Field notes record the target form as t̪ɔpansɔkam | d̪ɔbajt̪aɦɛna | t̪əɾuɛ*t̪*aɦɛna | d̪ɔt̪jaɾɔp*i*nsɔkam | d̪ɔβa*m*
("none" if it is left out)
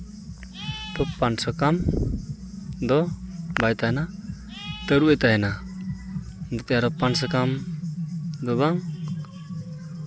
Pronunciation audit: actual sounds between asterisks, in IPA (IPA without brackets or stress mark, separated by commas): t̪, a, ŋ